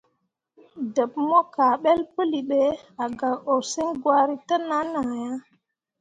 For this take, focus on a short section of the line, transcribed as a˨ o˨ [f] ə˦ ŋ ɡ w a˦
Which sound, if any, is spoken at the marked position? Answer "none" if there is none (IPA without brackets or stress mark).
s